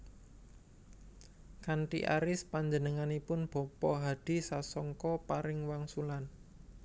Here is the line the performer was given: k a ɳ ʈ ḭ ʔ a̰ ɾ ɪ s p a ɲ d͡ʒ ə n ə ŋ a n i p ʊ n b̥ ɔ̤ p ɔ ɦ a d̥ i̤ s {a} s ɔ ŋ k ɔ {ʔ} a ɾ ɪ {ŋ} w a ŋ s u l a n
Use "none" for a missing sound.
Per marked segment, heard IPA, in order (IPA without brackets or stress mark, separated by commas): a, p, ŋ